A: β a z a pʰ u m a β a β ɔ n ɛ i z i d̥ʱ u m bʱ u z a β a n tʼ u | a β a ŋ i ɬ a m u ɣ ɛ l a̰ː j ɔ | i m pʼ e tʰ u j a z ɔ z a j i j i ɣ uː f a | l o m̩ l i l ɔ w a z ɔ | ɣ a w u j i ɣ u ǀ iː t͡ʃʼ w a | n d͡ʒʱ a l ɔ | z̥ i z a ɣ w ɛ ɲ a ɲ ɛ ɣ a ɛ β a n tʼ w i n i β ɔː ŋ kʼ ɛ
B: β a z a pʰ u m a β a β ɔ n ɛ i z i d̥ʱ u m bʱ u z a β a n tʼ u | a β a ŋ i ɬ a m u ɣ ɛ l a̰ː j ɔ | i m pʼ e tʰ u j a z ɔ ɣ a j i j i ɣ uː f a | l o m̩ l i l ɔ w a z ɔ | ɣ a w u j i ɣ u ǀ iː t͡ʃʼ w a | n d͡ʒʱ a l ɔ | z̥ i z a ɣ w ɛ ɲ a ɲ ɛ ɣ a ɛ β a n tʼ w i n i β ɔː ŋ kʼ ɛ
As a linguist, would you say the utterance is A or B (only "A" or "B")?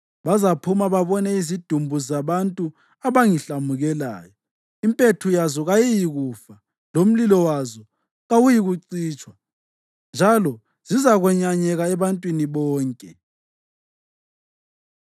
B